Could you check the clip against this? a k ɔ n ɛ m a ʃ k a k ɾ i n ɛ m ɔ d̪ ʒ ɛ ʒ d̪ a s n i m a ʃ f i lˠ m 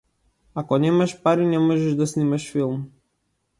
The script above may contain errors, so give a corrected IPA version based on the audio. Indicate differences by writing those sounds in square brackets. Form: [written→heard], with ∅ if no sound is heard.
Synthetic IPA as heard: a k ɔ n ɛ m a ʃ [k→p] a [k→∅] ɾ i n ɛ m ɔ [d̪→∅] ʒ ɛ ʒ d̪ a s n i m a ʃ f i lˠ m